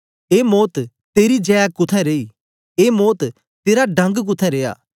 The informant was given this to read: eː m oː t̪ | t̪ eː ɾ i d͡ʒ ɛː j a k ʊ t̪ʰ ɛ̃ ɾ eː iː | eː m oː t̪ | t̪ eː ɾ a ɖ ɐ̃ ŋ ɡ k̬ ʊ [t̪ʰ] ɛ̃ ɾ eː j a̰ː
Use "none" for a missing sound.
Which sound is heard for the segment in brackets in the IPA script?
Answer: t̪ʰ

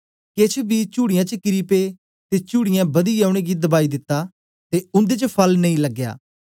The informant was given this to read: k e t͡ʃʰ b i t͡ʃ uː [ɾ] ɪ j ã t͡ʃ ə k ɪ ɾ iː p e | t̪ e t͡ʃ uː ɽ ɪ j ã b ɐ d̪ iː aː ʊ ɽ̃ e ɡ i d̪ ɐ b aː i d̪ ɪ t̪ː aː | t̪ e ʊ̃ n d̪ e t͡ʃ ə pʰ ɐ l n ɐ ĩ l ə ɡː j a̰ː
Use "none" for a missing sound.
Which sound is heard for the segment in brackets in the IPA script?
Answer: ɽ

